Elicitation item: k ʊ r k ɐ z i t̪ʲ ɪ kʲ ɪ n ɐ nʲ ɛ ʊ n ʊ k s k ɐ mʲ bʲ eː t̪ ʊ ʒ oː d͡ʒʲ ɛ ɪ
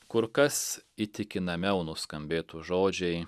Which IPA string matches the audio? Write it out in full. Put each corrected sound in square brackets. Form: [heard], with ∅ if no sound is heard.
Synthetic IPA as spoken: k ʊ [ɾ] k ɐ [s] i t̪ʲ ɪ kʲ ɪ n ɐ [mʲ] ɛ ʊ n ʊ [∅] s k ɐ mʲ bʲ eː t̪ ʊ ʒ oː d͡ʒʲ ɛ ɪ